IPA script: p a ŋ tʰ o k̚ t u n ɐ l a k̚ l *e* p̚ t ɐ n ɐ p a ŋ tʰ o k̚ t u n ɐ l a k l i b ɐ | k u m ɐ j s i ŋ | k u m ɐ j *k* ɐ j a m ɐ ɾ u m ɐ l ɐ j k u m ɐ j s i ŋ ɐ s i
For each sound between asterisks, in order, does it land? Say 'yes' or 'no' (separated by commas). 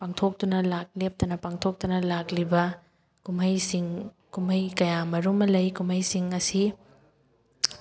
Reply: yes, yes